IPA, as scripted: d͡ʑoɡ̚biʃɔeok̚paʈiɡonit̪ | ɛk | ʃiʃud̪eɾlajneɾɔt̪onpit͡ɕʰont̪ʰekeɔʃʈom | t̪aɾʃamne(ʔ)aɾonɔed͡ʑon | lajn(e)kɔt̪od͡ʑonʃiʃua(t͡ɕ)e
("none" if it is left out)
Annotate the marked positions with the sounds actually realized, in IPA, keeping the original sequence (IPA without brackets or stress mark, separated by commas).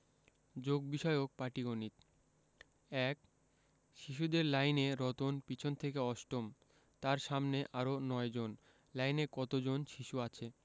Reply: ʔ, e, t͡ɕʰ